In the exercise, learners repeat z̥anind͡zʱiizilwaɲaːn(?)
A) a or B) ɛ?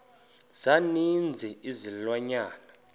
A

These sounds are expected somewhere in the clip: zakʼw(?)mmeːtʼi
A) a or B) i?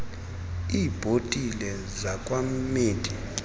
A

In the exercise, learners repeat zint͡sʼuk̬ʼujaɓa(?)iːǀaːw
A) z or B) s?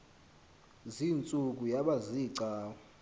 A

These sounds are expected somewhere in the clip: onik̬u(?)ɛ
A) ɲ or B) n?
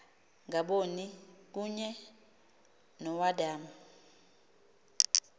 A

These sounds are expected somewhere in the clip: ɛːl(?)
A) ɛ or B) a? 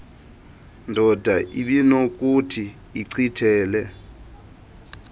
A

